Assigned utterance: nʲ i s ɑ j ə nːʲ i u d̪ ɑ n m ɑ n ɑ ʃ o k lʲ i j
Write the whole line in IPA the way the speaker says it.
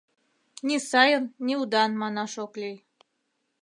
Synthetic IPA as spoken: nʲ i s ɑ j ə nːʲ i u d̪ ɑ n m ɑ n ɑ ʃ o k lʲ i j